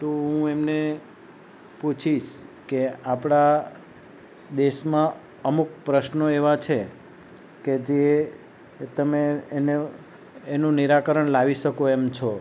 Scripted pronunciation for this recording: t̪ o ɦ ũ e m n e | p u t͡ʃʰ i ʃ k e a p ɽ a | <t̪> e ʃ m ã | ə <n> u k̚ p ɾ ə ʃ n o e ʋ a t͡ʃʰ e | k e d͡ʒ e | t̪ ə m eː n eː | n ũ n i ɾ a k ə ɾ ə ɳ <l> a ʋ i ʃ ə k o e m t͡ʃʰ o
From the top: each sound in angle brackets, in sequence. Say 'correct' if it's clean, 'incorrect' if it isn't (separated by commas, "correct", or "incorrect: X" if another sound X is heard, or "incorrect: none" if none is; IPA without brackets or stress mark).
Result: incorrect: d̪, incorrect: m, correct